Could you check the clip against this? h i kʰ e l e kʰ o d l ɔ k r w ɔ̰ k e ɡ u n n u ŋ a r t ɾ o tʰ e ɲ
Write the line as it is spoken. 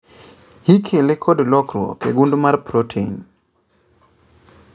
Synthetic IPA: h i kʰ e l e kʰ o d l ɔ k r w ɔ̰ k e ɡ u n d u m a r p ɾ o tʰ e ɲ